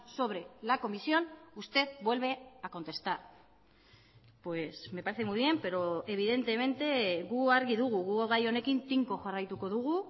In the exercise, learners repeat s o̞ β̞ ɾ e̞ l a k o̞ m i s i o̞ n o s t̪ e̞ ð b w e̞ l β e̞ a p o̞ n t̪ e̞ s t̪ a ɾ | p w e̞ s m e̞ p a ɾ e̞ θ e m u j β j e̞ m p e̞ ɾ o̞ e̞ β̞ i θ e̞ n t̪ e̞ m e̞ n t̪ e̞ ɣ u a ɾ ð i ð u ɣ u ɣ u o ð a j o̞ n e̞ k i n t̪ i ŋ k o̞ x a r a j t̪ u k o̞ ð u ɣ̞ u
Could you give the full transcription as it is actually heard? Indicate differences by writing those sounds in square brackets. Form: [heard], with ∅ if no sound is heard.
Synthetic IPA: s o̞ β̞ ɾ e̞ l a k o̞ m i s i o̞ n [u] s t̪ e̞ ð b w e̞ l β e̞ a [k] o̞ n t̪ e̞ s t̪ a ɾ | p w e̞ s m e̞ p a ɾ e̞ θ e m u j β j e̞ m p e̞ ɾ o̞ e̞ β̞ i [ð] e̞ n t̪ e̞ m e̞ n t̪ e̞ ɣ u a ɾ [ɣ] i ð u ɣ u ɣ u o [ɣ] a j o̞ n e̞ k i n t̪ i ŋ k o̞ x a r a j t̪ u k o̞ ð u ɣ̞ u